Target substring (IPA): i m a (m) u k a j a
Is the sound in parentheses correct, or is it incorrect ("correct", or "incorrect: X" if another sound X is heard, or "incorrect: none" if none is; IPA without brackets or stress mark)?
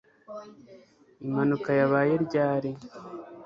incorrect: n